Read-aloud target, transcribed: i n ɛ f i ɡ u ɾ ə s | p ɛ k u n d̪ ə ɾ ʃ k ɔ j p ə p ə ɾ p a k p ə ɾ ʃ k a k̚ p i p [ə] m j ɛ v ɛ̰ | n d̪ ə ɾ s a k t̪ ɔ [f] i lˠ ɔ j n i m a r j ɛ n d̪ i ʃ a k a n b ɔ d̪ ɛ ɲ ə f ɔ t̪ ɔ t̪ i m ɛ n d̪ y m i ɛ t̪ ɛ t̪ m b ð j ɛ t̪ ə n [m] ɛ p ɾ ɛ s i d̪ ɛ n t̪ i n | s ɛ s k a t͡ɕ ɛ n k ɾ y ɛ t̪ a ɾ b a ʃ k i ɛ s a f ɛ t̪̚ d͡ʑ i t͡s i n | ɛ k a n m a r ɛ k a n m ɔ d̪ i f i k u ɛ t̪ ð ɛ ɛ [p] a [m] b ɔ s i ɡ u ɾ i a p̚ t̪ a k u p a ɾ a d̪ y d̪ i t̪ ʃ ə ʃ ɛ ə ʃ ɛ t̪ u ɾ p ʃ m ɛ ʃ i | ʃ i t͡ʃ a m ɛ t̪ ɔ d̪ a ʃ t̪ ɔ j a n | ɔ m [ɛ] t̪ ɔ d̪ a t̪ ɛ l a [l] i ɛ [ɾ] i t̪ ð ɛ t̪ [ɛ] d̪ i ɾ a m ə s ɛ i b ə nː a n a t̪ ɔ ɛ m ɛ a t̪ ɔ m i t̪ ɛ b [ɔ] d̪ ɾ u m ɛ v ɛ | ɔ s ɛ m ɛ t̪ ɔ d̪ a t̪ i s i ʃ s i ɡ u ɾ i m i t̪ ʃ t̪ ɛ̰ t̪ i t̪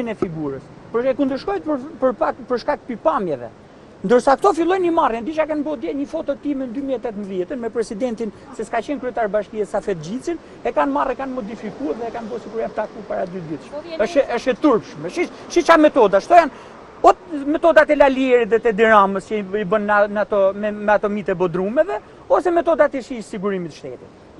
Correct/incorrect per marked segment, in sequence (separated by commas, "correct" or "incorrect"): incorrect, correct, correct, incorrect, incorrect, correct, correct, correct, correct, correct